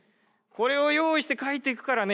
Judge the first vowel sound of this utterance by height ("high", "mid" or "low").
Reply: mid